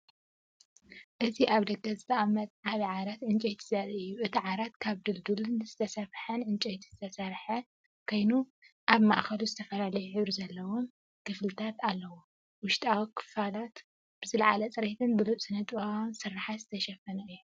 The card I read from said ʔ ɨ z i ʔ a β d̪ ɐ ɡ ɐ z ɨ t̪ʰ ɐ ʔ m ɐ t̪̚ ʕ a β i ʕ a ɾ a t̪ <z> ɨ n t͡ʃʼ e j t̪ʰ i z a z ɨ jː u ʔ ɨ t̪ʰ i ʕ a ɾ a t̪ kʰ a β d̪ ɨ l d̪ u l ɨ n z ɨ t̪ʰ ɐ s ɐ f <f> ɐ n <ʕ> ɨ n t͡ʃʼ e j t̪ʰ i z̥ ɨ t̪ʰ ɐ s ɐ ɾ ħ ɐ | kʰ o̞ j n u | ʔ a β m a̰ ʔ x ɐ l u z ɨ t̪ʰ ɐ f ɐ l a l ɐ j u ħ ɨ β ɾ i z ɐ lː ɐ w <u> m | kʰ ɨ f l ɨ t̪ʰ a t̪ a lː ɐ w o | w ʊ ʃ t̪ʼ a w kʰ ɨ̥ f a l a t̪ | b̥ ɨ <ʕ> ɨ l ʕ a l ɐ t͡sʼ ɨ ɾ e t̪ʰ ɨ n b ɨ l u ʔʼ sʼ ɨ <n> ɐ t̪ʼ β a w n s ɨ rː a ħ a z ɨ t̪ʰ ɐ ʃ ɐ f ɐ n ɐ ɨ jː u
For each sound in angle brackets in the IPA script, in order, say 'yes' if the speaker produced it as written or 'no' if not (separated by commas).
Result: no, no, yes, no, no, yes